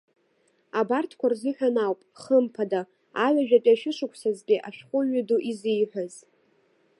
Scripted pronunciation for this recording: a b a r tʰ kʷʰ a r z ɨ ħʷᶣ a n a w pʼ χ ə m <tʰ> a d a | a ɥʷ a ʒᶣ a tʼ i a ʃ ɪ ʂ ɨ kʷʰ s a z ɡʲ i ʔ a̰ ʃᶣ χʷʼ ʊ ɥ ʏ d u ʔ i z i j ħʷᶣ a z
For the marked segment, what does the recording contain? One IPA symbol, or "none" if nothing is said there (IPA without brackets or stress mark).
pʰ